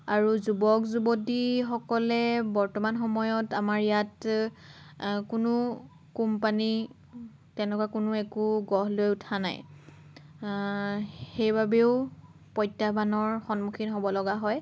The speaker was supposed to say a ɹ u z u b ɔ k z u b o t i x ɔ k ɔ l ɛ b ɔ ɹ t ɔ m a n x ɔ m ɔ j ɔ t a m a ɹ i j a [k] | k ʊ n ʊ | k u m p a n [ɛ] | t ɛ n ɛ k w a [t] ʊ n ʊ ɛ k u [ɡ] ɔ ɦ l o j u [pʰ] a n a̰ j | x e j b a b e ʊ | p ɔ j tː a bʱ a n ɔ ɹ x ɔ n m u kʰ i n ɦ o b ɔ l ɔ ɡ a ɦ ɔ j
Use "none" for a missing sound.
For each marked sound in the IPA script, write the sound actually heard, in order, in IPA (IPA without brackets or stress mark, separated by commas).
t, i, k, ɡ, tʰ